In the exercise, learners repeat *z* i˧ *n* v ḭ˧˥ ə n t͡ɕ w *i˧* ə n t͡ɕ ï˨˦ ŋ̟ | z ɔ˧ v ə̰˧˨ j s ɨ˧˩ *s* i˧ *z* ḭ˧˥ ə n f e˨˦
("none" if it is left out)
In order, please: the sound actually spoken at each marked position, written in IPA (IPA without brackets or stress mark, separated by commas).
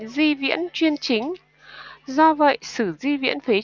z, none, i˧, z, v